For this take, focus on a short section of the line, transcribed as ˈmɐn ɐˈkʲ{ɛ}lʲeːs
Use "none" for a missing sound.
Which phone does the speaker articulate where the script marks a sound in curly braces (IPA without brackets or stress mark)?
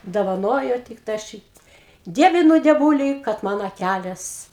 æ